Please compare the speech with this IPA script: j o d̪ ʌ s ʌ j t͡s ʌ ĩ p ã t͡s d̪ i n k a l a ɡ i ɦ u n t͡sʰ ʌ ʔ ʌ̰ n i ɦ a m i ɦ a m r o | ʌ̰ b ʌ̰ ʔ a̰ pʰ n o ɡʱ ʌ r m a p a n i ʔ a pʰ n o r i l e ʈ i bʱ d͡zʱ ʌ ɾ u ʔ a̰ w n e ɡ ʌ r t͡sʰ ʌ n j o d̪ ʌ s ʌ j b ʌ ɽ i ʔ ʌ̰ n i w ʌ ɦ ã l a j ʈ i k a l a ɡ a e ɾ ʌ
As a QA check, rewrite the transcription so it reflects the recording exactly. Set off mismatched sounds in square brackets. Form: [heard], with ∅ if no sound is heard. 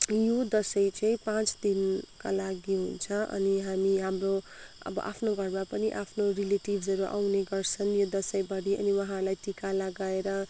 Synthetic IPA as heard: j o d̪ ʌ s ʌ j t͡s ʌ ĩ p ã t͡s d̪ i n k a l a ɡ i ɦ u n t͡sʰ ʌ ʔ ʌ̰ n i ɦ a m i ɦ a m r o | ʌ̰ b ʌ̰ ʔ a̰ pʰ n o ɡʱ ʌ r m a p [ʌ] n i ʔ a pʰ n o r i l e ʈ i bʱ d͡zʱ ʌ ɾ u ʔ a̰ w n e ɡ ʌ r t͡sʰ ʌ n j o d̪ ʌ s ʌ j b ʌ ɽ i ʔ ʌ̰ n i w ʌ ɦ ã l a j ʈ i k a l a ɡ a e ɾ ʌ